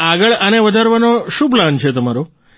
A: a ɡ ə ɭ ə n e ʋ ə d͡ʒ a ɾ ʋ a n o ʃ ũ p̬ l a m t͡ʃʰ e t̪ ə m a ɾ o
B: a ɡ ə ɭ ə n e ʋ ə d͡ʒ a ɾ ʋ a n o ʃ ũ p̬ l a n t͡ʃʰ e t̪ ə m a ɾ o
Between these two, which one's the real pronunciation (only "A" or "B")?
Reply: B